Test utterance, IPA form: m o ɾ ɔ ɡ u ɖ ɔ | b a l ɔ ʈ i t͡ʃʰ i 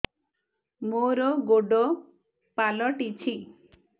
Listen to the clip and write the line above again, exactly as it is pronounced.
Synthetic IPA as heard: m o ɾ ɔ ɡ o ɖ ɔ | p a l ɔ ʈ i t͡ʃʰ i